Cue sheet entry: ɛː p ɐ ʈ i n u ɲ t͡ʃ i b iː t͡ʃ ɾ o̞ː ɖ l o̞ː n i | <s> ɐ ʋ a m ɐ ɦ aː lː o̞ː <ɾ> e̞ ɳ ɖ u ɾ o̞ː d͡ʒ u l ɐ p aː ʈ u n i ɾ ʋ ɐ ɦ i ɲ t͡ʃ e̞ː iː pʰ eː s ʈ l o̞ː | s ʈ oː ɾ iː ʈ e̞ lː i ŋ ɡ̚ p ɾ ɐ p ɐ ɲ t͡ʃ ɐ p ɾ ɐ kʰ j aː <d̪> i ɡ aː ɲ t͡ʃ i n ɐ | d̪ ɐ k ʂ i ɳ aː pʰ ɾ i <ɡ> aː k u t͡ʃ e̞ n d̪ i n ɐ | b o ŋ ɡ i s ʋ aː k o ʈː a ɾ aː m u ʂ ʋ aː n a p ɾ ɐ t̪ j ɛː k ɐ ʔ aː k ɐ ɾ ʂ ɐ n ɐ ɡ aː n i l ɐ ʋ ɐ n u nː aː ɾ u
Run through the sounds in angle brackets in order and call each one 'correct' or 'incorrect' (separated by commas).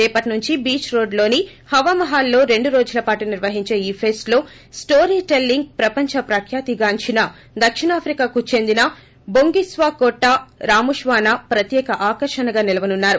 incorrect, correct, incorrect, incorrect